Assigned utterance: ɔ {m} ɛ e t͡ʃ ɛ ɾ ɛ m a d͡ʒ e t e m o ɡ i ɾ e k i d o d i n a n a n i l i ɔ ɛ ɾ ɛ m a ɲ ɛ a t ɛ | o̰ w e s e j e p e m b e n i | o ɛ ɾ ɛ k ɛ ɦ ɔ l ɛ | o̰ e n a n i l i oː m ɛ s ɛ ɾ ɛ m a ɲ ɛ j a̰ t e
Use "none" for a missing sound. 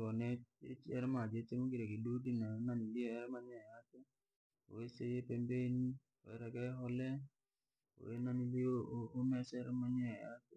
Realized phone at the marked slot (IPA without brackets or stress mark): n